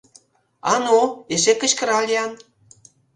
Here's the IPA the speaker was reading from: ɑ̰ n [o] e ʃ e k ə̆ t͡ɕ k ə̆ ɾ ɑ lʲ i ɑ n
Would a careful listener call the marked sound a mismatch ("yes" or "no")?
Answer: no